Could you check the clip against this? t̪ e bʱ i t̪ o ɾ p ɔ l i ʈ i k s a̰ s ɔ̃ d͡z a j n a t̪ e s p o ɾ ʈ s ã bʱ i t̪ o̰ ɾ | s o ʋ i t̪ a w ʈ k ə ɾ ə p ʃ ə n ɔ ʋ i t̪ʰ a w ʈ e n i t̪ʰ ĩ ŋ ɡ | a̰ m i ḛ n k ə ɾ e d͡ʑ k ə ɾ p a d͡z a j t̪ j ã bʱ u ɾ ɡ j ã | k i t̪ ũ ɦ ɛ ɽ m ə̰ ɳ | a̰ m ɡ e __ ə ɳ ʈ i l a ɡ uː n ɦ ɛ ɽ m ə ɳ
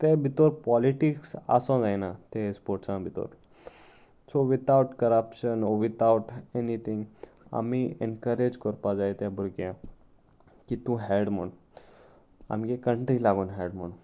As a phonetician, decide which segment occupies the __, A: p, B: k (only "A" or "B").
B